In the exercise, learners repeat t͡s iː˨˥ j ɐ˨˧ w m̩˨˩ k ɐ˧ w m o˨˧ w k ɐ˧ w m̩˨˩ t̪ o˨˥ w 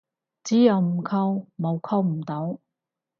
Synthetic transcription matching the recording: t͡s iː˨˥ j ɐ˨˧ w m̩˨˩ kʰ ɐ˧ w m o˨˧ w kʰ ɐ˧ w m̩˨˩ t̪ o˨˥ w